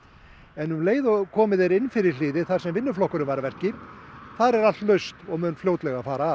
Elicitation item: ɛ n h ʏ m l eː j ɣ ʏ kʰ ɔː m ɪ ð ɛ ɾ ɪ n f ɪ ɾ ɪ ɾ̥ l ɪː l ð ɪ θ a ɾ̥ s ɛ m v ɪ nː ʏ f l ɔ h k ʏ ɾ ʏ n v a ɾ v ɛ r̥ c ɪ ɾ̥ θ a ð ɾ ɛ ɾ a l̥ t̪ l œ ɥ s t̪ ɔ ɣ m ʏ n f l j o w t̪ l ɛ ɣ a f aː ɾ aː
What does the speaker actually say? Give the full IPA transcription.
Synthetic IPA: ɛ n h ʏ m l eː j ð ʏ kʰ ɔː m ɪ ð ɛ ɾ ɪ n f ɪ ɾ ɪ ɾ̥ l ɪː ð ɪ θ a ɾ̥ s ɛ m v ɪ nː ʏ f l ɔ h k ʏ ɾ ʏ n v a ɾ v ɛ r̥ c ɪ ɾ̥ θ a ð ɾ ɛ ɾ a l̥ t̪ l œ ɥ s t̪ ɔ ɣ m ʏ n f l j o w t̪ l ɛ ɣ a f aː ɾ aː

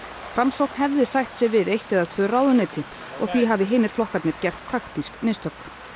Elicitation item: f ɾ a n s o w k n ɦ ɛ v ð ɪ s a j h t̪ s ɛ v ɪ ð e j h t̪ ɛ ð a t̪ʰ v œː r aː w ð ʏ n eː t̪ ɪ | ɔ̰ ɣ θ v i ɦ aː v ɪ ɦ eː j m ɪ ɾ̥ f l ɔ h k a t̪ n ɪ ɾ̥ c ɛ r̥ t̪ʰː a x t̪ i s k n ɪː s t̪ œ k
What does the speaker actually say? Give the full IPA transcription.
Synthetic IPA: f ɾ a m s o w k n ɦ ɛ v ð ɪ s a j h t̪ s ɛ v ɪ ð e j h t̪ ɛ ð a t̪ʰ v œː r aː w ð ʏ n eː t̪ ɪ | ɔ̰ ɣ θ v i ɦ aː v ɪ ɦ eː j n ɪ ɾ̥ f l ɔ h k a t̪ n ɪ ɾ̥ c ɛ r̥ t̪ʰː a x t̪ i s k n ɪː s t̪ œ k

